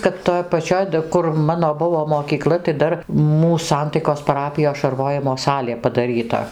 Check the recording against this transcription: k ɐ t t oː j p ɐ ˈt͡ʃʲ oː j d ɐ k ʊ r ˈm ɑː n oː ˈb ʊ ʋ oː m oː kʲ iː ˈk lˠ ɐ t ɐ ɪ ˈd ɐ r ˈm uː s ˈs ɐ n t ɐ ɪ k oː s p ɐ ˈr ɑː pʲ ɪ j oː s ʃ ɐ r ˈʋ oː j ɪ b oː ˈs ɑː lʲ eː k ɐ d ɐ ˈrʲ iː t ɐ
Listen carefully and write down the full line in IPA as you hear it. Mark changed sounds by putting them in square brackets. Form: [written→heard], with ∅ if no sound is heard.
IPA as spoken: k ɐ t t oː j p ɐ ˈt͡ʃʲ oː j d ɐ k ʊ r ˈm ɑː n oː ˈb ʊ ʋ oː m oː kʲ iː ˈk lˠ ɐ t ɐ ɪ ˈd ɐ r ˈm uː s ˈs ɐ n t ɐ ɪ k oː s p ɐ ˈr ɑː pʲ ɪ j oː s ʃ ɐ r ˈʋ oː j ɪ [b→m] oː ˈs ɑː lʲ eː [k→p] ɐ d ɐ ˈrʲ iː t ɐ

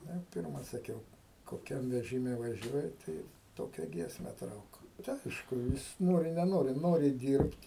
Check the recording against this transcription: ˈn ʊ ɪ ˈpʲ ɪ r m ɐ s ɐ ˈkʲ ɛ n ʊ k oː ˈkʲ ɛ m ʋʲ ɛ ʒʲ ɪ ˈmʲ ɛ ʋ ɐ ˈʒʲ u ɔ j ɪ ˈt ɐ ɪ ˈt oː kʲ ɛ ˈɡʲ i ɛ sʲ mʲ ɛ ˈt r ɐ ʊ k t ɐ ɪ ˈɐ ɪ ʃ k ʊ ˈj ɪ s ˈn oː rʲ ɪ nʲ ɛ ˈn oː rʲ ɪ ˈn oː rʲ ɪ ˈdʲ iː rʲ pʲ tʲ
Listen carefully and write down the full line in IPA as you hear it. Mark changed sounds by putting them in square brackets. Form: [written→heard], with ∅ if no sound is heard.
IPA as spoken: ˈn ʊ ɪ ˈpʲ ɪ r m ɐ s ɐ ˈkʲ ɛ [n→∅] ʊ k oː ˈkʲ ɛ m ʋʲ ɛ ʒʲ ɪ ˈmʲ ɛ ʋ ɐ ˈʒʲ u ɔ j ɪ ˈt ɐ ɪ ˈt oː kʲ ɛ ˈɡʲ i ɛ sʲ mʲ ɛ ˈt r ɐ ʊ k t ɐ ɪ ˈɐ ɪ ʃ k ʊ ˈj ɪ s ˈn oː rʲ ɪ nʲ ɛ ˈn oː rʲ ɪ ˈn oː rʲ ɪ ˈdʲ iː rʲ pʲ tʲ

